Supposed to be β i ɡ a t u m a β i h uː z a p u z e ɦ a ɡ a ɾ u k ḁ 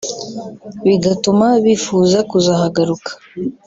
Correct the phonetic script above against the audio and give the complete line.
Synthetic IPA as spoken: β i ɡ a t u m a β i f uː z a k u z a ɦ a ɡ a ɾ u k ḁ